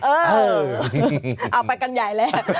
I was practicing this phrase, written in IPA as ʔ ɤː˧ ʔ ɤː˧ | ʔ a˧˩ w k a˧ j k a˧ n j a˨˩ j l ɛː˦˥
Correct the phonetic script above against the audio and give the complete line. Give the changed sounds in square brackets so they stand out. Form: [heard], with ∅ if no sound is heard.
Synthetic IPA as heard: ʔ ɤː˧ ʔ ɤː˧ | ʔ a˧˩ w [p] a˧ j k a˧ n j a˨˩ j l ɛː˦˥